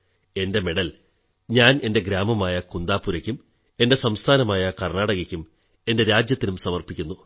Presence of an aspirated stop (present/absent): present